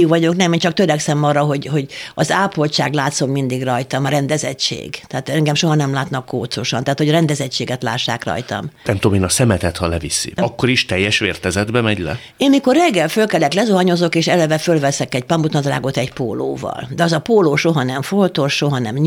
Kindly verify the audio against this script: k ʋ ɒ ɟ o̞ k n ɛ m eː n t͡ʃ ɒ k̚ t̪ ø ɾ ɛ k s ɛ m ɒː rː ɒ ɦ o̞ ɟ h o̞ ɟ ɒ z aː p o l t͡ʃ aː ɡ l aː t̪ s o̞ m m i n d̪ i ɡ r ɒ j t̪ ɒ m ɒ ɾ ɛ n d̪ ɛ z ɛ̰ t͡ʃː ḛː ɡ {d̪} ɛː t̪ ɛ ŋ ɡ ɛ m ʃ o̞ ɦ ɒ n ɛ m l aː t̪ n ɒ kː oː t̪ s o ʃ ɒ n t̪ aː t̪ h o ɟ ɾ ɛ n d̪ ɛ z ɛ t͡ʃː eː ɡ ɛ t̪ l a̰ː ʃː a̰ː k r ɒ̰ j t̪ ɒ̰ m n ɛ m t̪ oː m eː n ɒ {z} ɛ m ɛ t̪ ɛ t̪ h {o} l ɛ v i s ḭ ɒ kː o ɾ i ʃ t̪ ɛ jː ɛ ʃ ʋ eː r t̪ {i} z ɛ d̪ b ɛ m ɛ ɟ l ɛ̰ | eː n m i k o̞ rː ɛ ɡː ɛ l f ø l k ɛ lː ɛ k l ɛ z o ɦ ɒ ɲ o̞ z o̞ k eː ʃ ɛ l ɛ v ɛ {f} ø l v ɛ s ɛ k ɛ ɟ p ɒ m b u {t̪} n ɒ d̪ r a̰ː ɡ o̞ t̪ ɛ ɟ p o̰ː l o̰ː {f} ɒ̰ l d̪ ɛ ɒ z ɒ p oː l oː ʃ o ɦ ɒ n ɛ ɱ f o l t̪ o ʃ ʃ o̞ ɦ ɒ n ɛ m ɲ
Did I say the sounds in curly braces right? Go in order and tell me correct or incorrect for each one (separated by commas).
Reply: incorrect, incorrect, incorrect, incorrect, correct, correct, incorrect